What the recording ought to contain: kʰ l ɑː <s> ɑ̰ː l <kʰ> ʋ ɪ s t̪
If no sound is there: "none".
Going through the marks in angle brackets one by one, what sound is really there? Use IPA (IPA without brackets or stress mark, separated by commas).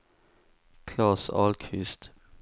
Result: s, kʰ